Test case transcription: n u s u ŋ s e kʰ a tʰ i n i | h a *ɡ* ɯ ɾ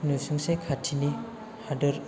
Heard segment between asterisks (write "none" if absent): d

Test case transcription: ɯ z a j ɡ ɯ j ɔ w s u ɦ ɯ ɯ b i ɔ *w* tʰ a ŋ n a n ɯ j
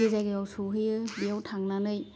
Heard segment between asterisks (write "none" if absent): w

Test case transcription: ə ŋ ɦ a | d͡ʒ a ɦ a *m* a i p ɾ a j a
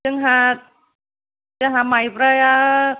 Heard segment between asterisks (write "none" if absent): m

